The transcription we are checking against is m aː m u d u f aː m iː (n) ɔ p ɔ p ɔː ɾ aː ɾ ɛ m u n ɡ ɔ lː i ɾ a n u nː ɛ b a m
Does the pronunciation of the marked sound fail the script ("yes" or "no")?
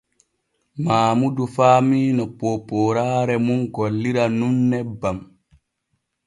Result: no